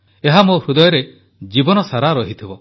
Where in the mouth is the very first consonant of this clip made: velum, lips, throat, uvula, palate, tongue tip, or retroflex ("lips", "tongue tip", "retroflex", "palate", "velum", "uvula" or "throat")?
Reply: throat